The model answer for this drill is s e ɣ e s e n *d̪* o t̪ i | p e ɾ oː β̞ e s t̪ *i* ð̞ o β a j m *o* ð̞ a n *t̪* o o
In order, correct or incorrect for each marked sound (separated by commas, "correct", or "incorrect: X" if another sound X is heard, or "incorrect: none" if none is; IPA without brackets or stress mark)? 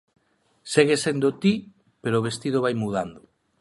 correct, correct, incorrect: u, incorrect: d̪